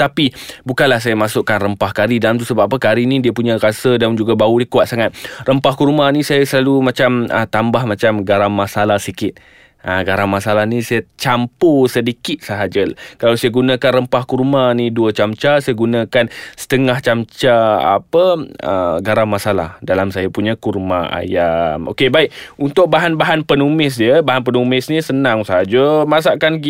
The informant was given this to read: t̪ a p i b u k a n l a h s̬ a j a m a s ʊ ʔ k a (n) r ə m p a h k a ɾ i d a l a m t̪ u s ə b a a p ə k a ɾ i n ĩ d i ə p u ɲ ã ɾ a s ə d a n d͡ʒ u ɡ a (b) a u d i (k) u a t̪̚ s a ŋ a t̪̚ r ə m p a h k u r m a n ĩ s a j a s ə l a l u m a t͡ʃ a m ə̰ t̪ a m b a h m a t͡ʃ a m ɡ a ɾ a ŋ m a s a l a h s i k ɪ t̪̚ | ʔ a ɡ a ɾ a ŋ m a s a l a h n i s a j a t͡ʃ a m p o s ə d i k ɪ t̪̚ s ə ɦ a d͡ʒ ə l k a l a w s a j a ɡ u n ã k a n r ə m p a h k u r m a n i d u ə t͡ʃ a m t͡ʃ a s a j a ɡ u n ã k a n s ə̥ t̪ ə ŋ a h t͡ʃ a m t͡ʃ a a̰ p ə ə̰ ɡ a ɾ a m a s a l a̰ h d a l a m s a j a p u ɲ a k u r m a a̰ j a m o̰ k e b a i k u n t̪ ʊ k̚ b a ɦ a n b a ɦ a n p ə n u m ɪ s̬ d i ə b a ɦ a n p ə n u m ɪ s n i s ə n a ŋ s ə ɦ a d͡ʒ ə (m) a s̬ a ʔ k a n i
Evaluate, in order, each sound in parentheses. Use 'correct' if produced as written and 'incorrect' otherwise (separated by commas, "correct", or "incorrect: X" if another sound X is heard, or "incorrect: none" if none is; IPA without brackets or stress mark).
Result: correct, correct, correct, correct